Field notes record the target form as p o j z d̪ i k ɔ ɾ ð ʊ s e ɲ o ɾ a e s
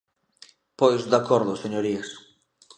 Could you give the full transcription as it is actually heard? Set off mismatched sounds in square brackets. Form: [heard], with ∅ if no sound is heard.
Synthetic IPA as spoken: p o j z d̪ [a] k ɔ ɾ ð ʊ s e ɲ o ɾ [i] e s

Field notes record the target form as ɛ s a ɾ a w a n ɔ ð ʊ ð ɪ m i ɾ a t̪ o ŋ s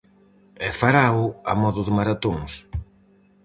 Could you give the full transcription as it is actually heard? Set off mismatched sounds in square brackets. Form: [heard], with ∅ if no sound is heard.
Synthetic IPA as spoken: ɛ [f] a ɾ a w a [m] ɔ ð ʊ ð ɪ m [a] ɾ a t̪ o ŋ s

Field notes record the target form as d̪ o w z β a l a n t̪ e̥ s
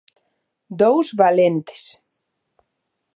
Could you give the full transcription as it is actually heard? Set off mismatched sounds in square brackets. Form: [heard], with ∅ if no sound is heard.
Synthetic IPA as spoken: d̪ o w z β a l [e] n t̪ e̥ s

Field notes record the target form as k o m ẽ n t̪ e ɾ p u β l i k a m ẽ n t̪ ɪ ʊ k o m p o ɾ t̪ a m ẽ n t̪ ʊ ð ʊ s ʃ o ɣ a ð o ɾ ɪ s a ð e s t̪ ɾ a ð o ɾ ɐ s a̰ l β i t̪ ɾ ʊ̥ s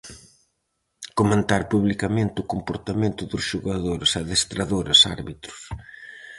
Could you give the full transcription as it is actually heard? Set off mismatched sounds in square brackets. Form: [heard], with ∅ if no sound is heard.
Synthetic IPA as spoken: k o m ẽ n t̪ [a] ɾ p u β l i k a m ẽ n t̪ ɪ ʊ k o m p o ɾ t̪ a m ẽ n t̪ ʊ ð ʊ s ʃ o ɣ a ð o ɾ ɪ s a ð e s t̪ ɾ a ð o ɾ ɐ s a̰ [ɾ] β i t̪ ɾ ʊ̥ s

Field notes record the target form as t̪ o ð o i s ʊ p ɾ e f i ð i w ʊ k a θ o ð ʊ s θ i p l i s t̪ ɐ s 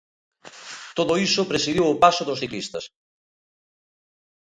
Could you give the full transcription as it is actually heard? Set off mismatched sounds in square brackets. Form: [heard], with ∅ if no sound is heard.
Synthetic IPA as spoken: t̪ o ð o i s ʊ p ɾ e [s] i ð i w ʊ [p] a [s] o ð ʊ s θ i [k] l i s t̪ ɐ s

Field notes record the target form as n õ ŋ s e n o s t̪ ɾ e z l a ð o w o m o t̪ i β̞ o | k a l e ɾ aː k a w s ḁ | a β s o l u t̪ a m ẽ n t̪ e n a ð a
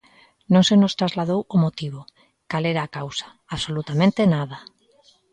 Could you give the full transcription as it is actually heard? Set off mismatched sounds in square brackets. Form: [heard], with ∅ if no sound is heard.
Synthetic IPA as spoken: n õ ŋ s e n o s t̪ ɾ [a] z l a ð o w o m o t̪ i β̞ o | k a l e ɾ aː k a w s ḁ | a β s o l u t̪ a m ẽ n t̪ e n a ð a

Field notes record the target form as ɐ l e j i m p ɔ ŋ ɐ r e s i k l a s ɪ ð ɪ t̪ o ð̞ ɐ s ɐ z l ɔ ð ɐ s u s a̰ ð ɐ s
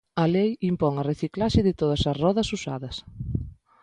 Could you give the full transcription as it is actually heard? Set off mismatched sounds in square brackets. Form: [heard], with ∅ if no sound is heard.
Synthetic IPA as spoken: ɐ l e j i m p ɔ ŋ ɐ r e [θ] i k l a [ʃ] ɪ ð ɪ t̪ o ð̞ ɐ s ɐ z [r] ɔ ð ɐ s u s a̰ ð ɐ s

